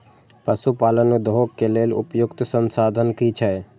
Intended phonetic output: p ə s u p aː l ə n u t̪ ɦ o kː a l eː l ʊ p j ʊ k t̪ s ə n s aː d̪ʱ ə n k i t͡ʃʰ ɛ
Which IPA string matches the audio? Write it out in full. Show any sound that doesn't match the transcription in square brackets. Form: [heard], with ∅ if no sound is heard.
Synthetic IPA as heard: p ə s u p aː l ə n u [d̪] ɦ o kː [e] l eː l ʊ p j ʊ k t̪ s ə n s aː d̪ʱ ə n k i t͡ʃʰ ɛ